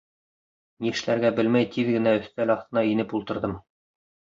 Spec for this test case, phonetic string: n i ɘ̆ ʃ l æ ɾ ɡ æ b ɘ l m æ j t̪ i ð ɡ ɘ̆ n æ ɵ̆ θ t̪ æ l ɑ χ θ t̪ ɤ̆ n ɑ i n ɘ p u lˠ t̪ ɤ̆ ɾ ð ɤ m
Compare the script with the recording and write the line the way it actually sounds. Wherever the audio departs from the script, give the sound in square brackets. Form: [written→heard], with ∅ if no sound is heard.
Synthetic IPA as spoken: n i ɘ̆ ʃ l æ ɾ ɡ æ b ɘ l m æ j t̪ i ð ɡ ɘ̆ n æ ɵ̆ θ t̪ æ l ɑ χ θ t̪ ɤ̆ n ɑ i n ɘ p u lˠ t̪ ɤ̆ ɾ ð ɤ m

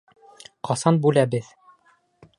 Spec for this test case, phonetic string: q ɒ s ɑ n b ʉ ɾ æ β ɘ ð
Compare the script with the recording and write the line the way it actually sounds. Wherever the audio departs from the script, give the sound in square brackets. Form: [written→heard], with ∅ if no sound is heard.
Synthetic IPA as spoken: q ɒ s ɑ n b ʉ [ɾ→l] æ [β→b] ɘ ð

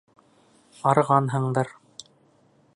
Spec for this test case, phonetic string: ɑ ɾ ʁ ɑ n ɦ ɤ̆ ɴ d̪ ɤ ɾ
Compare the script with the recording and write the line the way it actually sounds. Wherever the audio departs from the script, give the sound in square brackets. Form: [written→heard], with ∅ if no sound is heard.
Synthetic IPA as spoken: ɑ ɾ ʁ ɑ n ɦ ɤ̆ ɴ d̪ ɤ ɾ

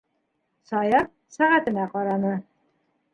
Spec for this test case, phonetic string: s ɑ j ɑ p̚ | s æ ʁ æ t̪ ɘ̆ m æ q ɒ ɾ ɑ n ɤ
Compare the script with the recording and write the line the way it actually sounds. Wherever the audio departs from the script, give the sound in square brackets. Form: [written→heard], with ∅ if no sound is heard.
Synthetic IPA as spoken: s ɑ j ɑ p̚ | s æ ʁ æ t̪ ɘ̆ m æ q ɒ ɾ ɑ n ɤ

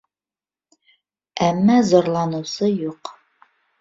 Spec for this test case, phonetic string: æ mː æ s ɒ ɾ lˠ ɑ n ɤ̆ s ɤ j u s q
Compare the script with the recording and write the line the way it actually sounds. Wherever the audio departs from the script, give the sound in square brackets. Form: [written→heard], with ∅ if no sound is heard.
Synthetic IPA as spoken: æ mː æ [s→z] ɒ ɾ lˠ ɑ n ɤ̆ s ɤ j u [s→∅] q

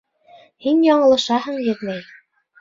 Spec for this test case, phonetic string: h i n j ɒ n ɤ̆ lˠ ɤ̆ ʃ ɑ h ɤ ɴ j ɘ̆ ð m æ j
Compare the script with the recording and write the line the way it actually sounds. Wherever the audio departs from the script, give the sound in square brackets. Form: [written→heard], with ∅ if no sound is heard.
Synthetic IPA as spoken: h i n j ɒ [n→ɴ] ɤ̆ lˠ ɤ̆ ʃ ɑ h ɤ ɴ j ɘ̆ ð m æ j

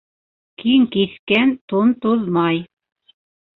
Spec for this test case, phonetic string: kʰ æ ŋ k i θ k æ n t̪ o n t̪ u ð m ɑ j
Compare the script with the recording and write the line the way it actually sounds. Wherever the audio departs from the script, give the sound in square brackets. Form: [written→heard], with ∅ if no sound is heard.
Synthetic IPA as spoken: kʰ [æ→i] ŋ k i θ k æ n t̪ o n t̪ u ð m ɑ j

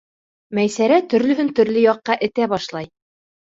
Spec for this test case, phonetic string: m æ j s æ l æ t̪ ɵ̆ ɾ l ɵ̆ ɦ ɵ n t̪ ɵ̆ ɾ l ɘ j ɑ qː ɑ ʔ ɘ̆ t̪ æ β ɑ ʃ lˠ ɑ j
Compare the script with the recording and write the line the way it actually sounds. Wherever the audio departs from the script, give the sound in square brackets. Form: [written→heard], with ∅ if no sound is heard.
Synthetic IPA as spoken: m æ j s æ [l→ɾ] æ t̪ ɵ̆ ɾ l ɵ̆ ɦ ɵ n t̪ ɵ̆ ɾ l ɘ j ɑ qː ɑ ʔ ɘ̆ t̪ æ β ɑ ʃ lˠ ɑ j

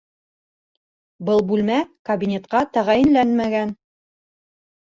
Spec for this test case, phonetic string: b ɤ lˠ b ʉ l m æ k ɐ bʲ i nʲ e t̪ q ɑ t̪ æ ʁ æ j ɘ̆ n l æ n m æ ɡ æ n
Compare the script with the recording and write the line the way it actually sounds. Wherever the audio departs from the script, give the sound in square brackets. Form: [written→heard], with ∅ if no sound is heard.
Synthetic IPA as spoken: b ɤ lˠ b ʉ l m æ k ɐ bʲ i nʲ e t̪ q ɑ t̪ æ ʁ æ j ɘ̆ n l æ n m æ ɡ æ n

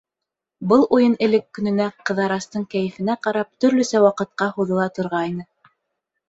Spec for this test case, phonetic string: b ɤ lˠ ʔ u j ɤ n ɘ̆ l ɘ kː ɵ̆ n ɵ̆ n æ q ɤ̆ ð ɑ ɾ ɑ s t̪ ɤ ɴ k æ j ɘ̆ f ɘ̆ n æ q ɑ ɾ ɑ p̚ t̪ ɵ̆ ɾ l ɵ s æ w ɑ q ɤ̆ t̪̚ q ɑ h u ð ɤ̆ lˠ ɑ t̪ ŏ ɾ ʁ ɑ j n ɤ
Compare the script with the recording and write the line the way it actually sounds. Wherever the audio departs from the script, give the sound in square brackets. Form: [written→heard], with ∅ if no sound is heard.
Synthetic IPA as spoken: b ɤ lˠ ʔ u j ɤ n ɘ̆ l ɘ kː ɵ̆ n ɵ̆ n æ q ɤ̆ ð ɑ ɾ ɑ s t̪ ɤ ɴ k æ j ɘ̆ f ɘ̆ n æ q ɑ ɾ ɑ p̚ t̪ ɵ̆ ɾ l ɵ s æ w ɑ q ɤ̆ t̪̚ q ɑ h u ð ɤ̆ lˠ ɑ t̪ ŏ ɾ ʁ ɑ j n ɤ

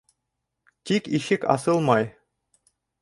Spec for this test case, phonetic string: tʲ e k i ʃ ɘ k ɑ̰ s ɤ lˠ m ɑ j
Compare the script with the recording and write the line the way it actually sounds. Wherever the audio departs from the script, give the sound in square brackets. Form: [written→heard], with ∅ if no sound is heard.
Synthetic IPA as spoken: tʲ [e→i] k i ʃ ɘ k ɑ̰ s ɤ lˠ m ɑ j

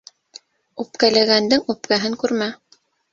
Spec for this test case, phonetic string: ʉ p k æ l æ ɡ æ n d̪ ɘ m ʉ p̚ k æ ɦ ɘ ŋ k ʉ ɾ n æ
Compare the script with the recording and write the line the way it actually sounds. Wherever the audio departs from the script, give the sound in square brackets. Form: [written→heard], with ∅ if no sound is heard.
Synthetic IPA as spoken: ʉ p k æ l æ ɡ æ n d̪ ɘ [m→ŋ] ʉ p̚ k æ ɦ ɘ ŋ k ʉ ɾ [n→m] æ

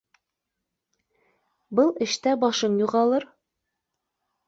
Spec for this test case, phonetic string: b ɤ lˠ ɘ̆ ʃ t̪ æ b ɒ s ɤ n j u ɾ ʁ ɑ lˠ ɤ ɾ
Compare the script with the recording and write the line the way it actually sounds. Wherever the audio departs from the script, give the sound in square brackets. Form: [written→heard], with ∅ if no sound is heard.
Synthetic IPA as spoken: b ɤ lˠ ɘ̆ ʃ t̪ æ b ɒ [s→ʃ] ɤ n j u [ɾ→∅] ʁ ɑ lˠ ɤ ɾ

